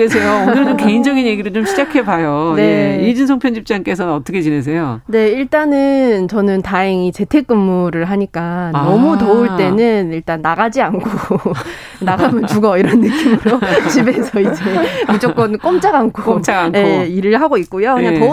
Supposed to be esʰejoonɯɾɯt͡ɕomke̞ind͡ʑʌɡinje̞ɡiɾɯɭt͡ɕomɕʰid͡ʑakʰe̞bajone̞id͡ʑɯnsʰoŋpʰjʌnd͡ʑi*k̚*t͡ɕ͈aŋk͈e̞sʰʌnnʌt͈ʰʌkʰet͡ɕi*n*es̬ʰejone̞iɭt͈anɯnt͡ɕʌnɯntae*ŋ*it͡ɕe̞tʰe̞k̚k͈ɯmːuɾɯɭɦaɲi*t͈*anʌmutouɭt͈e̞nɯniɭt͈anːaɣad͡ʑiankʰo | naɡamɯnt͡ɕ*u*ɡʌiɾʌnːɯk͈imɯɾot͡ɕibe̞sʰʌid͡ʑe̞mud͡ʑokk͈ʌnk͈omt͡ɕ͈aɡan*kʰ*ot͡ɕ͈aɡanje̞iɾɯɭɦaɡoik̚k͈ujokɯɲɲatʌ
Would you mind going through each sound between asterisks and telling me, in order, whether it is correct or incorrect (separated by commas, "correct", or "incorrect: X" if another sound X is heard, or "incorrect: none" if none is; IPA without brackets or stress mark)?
incorrect: p̚, correct, correct, incorrect: k͈, correct, correct